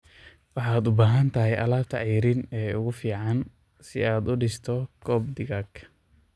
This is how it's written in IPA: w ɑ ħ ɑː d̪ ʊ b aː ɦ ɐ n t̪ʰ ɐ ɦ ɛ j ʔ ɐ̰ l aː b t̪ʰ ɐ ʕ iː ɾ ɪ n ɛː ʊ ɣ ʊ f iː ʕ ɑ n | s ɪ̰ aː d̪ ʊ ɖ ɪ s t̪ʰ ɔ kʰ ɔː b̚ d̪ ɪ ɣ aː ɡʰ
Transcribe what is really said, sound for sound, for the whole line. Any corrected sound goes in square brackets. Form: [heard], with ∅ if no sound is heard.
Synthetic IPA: w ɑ ħ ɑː d̪ ʊ b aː ɦ ɐ n t̪ʰ ɐ ɦ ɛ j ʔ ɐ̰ l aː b t̪ʰ ɐ ʕ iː ɾ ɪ n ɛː ʊ ɣ ʊ f iː ʕ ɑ n | s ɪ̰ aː d̪ ʊ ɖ ɪ s t̪ʰ ɔ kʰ ɔː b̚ d̪ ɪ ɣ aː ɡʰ